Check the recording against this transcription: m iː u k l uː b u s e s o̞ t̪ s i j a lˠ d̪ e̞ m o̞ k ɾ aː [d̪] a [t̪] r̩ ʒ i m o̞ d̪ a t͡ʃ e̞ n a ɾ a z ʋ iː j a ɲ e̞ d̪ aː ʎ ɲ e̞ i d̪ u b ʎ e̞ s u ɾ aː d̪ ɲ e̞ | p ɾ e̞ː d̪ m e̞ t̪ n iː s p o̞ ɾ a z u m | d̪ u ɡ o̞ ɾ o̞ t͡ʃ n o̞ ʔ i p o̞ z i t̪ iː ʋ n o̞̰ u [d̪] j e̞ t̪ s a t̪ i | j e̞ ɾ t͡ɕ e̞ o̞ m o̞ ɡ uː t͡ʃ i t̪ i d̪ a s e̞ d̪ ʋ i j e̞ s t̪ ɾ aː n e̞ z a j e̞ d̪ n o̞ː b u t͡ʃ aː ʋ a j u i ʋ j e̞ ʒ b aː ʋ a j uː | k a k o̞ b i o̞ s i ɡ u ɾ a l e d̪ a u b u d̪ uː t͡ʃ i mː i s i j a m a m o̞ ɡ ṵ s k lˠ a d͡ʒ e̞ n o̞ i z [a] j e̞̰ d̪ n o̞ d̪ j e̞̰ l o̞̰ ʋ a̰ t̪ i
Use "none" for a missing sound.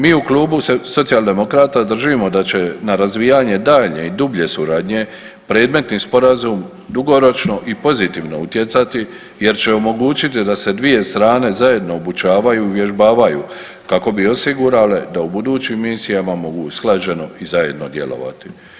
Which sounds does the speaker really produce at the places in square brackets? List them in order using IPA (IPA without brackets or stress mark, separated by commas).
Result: t̪, d̪, t̪, a